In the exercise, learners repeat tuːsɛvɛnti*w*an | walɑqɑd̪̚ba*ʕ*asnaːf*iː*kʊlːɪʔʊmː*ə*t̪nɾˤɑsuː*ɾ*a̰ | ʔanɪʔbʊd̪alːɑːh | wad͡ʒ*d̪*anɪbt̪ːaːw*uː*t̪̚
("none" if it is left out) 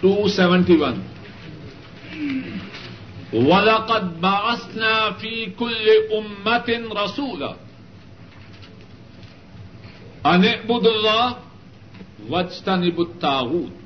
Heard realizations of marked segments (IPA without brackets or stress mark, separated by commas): w, ʕ, iː, a, l, t̪, uː